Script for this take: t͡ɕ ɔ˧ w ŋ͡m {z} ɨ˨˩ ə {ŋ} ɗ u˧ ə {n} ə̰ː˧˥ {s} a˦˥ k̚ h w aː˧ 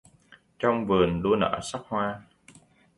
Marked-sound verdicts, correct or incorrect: incorrect: v, incorrect: n, correct, correct

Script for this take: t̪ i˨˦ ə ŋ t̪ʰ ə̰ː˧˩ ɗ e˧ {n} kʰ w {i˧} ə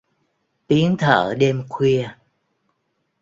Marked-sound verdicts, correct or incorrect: incorrect: m, correct

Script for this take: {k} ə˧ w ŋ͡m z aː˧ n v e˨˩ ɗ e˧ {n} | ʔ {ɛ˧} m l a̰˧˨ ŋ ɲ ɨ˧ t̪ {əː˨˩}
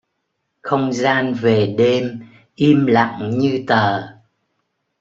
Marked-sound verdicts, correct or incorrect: incorrect: x, incorrect: m, incorrect: i˧, correct

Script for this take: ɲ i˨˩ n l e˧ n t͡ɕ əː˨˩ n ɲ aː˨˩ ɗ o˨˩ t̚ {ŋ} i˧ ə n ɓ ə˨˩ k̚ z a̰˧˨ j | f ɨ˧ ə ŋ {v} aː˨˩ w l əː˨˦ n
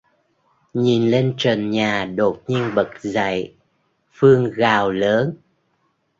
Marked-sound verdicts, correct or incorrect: incorrect: ɲ, incorrect: ɣ

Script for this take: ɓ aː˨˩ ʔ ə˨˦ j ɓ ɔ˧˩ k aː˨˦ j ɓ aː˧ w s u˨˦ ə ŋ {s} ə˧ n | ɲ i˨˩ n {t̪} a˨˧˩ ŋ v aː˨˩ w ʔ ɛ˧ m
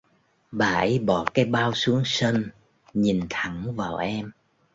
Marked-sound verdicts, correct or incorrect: correct, incorrect: t̪ʰ

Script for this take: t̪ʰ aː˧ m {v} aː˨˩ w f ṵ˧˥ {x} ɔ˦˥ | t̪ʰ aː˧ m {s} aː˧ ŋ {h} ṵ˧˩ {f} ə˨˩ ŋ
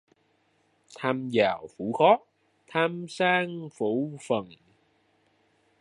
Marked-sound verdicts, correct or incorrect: incorrect: z, correct, correct, incorrect: f, correct

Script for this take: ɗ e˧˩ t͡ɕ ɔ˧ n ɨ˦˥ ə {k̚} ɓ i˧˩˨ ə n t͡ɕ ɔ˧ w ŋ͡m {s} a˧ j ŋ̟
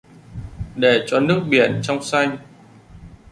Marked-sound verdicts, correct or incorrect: correct, correct

